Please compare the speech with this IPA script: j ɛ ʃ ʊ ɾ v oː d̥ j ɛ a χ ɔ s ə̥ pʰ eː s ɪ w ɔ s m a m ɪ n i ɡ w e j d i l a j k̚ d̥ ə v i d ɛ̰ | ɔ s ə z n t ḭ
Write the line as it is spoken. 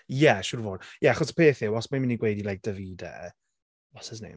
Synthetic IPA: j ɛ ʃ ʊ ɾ v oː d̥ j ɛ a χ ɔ s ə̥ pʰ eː θ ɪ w ɔ s m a m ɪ n i ɡ w e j d i l a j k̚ d̥ ə v i d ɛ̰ | ɔ s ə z n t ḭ